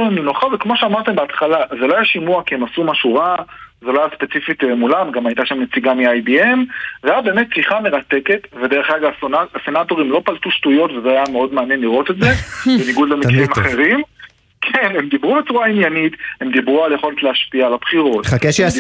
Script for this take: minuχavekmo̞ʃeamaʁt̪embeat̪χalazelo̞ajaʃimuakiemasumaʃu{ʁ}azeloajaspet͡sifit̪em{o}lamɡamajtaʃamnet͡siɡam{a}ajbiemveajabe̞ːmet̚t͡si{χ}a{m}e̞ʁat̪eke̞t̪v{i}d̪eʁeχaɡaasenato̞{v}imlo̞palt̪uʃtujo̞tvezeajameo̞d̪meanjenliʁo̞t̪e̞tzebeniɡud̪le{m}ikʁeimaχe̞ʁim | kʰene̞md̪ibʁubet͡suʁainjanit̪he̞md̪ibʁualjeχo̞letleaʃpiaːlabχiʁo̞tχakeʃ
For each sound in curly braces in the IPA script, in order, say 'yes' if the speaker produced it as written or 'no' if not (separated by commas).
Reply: yes, no, no, yes, yes, no, no, yes